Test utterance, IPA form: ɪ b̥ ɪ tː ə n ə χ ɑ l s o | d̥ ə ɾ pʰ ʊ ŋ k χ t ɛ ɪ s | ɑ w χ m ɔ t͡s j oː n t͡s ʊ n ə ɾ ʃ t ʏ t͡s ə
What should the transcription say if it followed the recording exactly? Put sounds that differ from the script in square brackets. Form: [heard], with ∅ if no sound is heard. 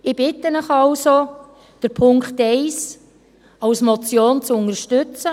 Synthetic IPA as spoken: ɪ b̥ ɪ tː ə n ə χ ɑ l s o | d̥ ə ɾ pʰ ʊ ŋ k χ t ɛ ɪ s | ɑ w [s] m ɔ t͡s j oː n t͡s ʊ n ə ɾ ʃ t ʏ t͡s ə